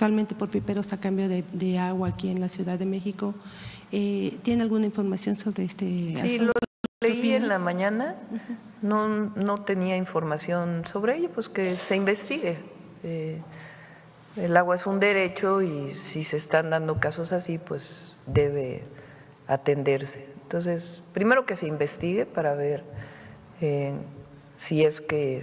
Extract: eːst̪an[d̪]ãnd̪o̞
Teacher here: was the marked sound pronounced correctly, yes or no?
yes